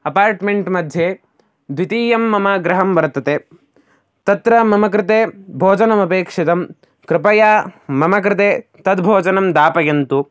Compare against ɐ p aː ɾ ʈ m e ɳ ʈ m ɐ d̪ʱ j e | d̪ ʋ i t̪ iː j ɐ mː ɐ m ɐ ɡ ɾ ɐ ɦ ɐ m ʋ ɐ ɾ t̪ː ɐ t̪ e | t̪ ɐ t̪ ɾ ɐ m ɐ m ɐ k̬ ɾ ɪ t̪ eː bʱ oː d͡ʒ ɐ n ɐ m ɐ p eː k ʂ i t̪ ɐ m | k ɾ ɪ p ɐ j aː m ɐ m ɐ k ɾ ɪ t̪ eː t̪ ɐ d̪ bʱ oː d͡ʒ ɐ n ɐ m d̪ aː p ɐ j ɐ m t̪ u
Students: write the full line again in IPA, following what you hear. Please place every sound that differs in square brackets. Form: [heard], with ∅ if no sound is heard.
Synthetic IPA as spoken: ɐ p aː ɾ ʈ m e ɳ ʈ m ɐ d̪ʱ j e | d̪ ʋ i t̪ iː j ɐ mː ɐ m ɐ ɡ ɾ ɐ ɦ ɐ m ʋ ɐ ɾ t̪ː ɐ t̪ e | t̪ ɐ t̪ ɾ ɐ m ɐ m ɐ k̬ ɾ ɪ t̪ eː bʱ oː d͡ʒ ɐ n ɐ m ɐ p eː k ʂ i t̪ ɐ m | k ɾ ɪ p ɐ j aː m ɐ m ɐ k ɾ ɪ t̪ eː t̪ ɐ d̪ bʱ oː d͡ʒ ɐ n ɐ m d̪ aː p ɐ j ɐ [n] t̪ u